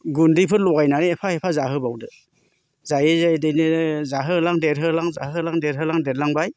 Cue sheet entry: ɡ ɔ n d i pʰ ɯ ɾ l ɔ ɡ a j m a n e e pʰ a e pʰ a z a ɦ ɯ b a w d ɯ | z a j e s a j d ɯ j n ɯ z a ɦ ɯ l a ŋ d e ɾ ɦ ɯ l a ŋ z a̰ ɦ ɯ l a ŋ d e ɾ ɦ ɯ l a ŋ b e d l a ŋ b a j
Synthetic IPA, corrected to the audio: ɡ u n d i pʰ ɯ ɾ l ɔ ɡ a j n a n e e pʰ a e pʰ a z a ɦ ɯ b a w d ɯ | z a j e z a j d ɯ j n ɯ z a ɦ ɯ l a ŋ d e ɾ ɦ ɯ l a ŋ z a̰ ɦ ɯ l a ŋ d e ɾ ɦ ɯ l a ŋ d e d l a ŋ b a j

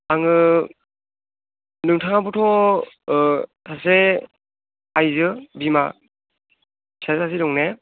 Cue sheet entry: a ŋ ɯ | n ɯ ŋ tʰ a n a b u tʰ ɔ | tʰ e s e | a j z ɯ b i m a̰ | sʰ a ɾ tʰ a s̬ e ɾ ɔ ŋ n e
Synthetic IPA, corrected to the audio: a ŋ ɯ | n ɯ ŋ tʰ a ŋ a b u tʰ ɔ | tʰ a s e | a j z ɯ b i m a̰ | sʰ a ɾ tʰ a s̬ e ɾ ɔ ŋ n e

